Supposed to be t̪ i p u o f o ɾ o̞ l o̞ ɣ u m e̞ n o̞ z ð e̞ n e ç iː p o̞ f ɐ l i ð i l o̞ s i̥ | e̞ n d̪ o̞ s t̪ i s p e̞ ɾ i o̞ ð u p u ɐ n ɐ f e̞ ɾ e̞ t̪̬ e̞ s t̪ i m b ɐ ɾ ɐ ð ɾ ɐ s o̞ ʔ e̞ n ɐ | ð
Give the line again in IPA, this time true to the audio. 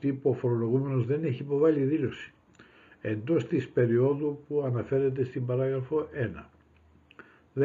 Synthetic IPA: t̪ i p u o f o ɾ o̞ l o̞ ɣ u m e̞ n o̞ z ð e̞ n e ç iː p o̞ v ɐ l i ð i l o̞ s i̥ | e̞ n d̪ o̞ s t̪ i s p e̞ ɾ i o̞ ð u p u ɐ n ɐ f e̞ ɾ e̞ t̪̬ e̞ s t̪ i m b ɐ ɾ ɐ ɣ ɾ ɐ f o̞ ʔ e̞ n ɐ | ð